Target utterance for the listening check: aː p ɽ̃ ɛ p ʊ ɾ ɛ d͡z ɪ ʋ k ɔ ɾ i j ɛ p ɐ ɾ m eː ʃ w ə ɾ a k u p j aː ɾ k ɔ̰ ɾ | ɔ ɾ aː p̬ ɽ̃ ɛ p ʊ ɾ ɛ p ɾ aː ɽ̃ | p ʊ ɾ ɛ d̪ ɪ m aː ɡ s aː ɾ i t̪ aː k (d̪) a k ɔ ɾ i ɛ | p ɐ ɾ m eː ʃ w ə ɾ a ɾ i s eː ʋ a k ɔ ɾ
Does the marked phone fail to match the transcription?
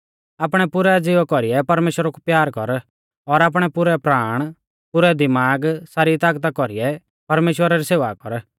yes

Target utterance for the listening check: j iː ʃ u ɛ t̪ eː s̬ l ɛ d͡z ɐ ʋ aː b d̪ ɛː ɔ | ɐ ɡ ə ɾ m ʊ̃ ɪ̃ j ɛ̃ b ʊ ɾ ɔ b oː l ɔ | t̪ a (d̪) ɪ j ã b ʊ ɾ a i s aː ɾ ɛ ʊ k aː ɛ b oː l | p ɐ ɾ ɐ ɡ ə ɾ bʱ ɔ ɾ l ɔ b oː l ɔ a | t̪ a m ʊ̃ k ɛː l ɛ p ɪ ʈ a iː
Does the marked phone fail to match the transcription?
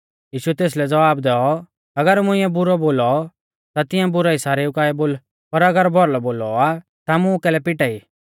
yes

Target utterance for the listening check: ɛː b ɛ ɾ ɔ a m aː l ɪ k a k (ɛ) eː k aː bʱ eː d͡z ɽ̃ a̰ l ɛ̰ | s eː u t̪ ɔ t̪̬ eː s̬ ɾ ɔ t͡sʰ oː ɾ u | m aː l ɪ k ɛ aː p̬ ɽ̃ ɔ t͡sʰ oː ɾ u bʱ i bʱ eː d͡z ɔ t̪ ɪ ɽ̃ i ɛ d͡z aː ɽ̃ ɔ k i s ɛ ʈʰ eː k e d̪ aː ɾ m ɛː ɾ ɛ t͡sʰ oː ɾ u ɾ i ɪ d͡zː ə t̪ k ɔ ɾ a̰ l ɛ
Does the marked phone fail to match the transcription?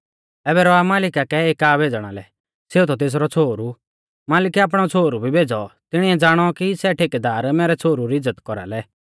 no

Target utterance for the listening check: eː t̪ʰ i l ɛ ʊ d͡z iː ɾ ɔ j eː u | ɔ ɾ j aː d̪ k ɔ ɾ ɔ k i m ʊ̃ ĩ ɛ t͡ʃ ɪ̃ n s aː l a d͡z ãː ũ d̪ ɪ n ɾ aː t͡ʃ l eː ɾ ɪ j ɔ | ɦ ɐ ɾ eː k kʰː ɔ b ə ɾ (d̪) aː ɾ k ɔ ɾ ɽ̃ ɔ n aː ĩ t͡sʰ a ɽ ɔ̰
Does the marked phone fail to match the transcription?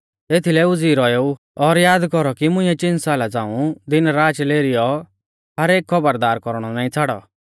no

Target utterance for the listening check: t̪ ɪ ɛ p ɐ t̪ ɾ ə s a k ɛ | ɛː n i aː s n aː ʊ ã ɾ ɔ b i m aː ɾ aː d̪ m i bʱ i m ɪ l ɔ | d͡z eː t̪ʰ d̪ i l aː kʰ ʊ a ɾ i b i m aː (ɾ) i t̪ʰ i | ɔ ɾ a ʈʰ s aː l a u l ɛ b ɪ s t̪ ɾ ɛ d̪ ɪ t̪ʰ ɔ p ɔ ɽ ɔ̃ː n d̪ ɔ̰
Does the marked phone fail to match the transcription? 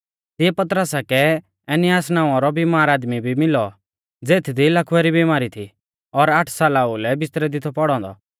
no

